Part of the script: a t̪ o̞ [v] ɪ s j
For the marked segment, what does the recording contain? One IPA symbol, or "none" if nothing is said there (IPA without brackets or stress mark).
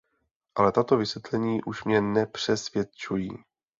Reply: v